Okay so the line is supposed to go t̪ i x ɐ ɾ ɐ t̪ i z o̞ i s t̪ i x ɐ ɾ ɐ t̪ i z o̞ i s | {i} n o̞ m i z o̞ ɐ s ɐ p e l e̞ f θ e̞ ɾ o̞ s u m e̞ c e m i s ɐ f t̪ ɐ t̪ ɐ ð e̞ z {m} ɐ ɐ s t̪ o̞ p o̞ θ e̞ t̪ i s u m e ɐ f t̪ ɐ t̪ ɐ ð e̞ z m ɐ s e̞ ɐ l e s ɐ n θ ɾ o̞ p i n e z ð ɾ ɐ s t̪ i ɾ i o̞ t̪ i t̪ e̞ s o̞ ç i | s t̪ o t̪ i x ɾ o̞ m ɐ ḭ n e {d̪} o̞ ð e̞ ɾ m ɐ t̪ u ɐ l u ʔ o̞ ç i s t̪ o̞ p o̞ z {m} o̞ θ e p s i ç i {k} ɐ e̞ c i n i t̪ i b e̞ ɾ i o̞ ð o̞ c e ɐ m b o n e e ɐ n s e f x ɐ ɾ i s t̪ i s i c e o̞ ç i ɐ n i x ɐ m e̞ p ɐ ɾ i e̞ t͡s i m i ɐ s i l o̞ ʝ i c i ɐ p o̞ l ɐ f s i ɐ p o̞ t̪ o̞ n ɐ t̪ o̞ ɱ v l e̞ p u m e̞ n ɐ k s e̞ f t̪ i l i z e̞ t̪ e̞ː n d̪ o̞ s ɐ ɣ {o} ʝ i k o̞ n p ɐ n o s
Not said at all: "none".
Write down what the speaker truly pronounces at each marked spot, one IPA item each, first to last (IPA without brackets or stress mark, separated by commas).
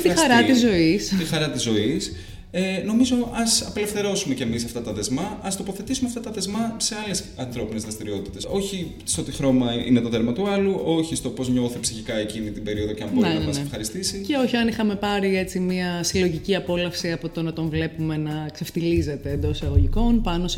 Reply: e, m, t̪, ɲ, k, o